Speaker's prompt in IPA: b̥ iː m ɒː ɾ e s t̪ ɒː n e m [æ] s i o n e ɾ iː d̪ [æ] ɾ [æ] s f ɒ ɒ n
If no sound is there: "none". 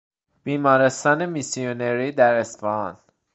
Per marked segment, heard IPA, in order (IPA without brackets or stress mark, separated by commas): i, æ, e